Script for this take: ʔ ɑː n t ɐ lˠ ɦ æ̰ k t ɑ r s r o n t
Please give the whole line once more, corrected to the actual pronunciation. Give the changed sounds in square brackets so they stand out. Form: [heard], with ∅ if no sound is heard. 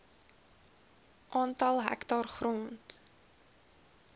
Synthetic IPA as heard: ʔ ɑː n t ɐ lˠ ɦ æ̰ k t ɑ r [χ] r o n t

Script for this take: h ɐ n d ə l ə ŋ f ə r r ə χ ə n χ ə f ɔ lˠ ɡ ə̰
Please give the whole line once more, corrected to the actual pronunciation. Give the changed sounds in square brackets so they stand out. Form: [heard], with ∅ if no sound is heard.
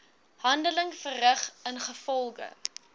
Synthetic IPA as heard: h ɐ n d ə l ə ŋ f ə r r ə χ ə n χ ə f ɔ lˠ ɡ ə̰

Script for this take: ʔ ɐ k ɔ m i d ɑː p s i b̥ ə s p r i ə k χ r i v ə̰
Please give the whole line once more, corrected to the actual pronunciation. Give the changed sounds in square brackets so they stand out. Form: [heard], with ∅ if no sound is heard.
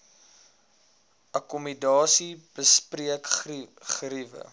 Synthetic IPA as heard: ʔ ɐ k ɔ m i d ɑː [∅] s i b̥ ə s p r i ə k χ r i v ə̰

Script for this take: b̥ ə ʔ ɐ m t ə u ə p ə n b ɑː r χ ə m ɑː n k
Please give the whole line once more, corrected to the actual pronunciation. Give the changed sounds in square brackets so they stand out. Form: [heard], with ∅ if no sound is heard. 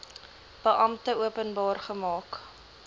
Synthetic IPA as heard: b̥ ə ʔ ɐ m t ə u ə p ə n b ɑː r χ ə m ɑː [∅] k

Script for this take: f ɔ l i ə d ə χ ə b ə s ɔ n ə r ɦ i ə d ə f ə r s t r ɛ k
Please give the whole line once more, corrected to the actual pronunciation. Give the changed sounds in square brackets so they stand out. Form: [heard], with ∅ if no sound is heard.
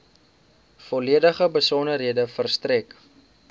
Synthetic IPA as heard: f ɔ l i ə d ə χ ə b ə s ɔ n ə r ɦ i ə d ə f ə r s t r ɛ k

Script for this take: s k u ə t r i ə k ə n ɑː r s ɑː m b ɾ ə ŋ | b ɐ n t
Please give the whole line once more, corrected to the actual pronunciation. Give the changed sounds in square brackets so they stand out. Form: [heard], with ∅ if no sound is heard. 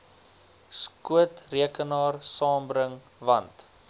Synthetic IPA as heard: s k u ə t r i ə k ə n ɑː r s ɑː m b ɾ ə ŋ | [v] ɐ n t

